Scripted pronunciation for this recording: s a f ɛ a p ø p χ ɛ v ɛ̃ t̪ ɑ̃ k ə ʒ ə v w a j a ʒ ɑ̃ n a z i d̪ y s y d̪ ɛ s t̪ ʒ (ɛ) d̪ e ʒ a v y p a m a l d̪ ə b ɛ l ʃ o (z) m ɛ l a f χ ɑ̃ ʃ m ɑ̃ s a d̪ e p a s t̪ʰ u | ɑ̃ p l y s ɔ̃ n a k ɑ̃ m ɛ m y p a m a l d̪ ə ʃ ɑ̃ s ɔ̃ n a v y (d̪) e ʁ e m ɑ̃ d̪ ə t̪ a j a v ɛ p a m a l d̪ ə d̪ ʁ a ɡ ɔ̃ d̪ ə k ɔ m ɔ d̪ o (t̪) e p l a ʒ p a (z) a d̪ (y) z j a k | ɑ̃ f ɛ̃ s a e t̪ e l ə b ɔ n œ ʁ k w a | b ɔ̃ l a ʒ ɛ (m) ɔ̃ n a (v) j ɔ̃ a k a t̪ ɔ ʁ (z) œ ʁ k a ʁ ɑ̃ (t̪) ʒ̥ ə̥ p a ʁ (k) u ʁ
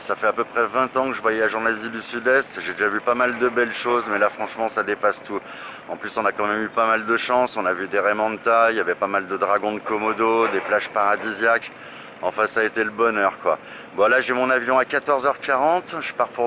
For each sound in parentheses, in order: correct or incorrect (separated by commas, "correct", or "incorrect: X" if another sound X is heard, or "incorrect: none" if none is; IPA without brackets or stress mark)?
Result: incorrect: e, correct, correct, incorrect: d̪, incorrect: ʁ, incorrect: i, correct, correct, correct, correct, incorrect: p